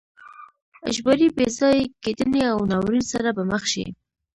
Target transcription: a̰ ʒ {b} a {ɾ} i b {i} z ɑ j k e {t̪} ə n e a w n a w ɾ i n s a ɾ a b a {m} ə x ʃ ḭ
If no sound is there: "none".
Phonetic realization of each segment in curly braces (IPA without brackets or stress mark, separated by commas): b, ɾ, e, d̪, m